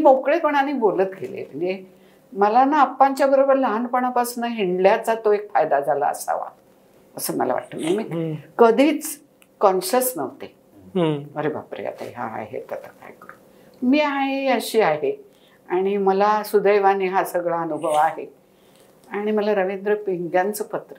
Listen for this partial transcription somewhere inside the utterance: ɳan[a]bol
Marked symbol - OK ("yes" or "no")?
no